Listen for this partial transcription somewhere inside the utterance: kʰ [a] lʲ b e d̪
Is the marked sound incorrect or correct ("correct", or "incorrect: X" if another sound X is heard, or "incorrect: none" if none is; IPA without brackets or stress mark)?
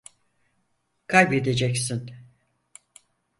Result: correct